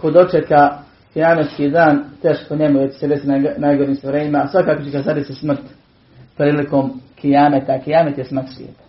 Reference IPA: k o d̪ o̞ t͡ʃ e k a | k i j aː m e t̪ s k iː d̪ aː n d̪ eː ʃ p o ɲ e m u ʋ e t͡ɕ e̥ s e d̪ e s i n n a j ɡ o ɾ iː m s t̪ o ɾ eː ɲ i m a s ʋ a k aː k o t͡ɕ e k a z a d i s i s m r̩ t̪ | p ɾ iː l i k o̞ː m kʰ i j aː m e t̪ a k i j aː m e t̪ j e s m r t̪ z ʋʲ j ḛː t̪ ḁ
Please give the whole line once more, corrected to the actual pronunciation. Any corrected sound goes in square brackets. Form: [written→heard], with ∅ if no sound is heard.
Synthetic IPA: k o d̪ o̞ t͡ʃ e k a | k i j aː m e t̪ s k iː d̪ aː n [d̪→t̪] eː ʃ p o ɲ e m u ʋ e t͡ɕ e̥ s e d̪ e s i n n a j ɡ o ɾ iː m s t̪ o ɾ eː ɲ i m a s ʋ a k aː k o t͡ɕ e k a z a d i s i s m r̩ t̪ | p ɾ iː l i k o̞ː m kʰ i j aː m e t̪ a k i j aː m e t̪ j e s m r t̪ [z→s] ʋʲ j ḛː t̪ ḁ